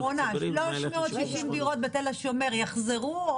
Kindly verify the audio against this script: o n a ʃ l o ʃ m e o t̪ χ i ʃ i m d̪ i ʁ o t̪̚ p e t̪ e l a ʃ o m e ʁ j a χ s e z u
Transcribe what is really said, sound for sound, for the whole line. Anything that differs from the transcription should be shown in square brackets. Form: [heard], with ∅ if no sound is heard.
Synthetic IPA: o n a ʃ l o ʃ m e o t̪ [ʃ] i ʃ i m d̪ i ʁ o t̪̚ [b] e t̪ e l a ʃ o m e ʁ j a χ [z] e [ʁ] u